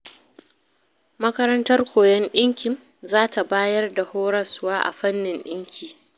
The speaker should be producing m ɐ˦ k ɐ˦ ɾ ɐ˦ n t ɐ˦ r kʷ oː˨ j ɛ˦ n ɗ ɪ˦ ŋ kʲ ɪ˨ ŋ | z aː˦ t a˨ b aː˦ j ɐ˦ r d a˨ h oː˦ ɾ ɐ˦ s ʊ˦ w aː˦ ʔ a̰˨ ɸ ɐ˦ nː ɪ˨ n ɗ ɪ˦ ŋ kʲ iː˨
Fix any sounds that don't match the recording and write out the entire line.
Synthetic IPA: m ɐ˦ k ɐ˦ ɾ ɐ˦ n t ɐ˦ r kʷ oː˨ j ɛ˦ n ɗ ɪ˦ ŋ kʲ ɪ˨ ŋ | z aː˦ t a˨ b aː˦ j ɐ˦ r d a˨ h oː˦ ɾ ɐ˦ s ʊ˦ w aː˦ ʔ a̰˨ ɸ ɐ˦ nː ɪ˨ n ɗ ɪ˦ ŋ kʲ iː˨